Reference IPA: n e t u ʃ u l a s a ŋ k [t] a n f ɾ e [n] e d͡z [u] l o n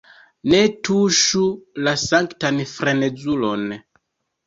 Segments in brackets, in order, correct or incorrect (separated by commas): correct, correct, correct